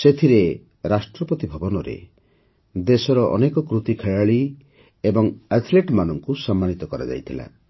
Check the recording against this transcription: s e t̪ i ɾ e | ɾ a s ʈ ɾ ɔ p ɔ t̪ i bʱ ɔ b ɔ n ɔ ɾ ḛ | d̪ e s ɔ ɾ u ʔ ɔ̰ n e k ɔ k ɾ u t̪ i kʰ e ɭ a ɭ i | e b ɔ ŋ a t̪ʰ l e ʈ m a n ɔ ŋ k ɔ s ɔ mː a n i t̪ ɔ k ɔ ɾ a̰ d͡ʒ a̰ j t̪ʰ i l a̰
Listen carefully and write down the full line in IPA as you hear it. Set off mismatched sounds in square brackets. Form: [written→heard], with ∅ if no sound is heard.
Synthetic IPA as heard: s e [t̪→t̪ʰ] i ɾ e | ɾ a s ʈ ɾ ɔ p ɔ t̪ i bʱ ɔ b ɔ n ɔ ɾ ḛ | d̪ e s ɔ ɾ [u→ɔ] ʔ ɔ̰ n e k ɔ k ɾ u t̪ i kʰ e ɭ a ɭ i | e b ɔ ŋ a t̪ʰ l e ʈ m a n ɔ ŋ k [ɔ→u] s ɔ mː a n i t̪ ɔ k ɔ ɾ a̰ d͡ʒ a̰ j t̪ʰ i l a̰